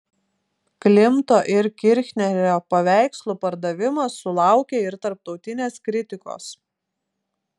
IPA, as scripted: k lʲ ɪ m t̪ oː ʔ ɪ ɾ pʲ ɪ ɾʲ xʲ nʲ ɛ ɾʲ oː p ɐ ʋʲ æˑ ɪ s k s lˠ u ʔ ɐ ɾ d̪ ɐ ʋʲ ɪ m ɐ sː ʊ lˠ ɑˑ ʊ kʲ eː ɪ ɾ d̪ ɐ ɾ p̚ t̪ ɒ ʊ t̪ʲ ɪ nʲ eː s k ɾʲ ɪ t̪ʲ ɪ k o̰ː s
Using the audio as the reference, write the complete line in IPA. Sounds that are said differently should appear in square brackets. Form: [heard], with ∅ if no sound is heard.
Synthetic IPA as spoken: k lʲ ɪ m t̪ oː ʔ ɪ ɾ [kʲ] ɪ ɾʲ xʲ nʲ ɛ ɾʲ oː p ɐ ʋʲ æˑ ɪ [∅] k s lˠ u [p] ɐ ɾ d̪ ɐ ʋʲ ɪ m ɐ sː ʊ lˠ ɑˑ ʊ kʲ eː ɪ ɾ [t̪] ɐ ɾ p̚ t̪ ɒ ʊ t̪ʲ ɪ nʲ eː s k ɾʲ ɪ t̪ʲ ɪ k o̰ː s